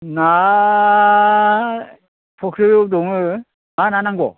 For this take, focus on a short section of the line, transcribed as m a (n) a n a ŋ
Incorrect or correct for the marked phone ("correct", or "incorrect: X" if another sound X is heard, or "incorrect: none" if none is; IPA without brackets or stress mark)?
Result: correct